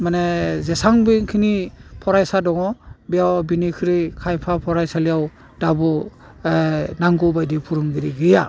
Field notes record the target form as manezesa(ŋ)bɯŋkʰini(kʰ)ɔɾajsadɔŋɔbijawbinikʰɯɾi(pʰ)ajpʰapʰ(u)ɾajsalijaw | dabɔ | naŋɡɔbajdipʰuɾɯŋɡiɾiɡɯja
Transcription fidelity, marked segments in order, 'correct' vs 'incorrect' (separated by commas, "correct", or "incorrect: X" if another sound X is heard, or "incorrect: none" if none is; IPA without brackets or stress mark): correct, incorrect: pʰ, incorrect: kʰ, incorrect: ɔ